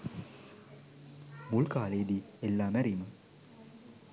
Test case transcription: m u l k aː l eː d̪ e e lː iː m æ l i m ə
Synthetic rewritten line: m u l k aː l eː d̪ i e lː aː m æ ɾ i m ə